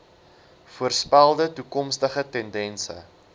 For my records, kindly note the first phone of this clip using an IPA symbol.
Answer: f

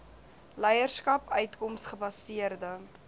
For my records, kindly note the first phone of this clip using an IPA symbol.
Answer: l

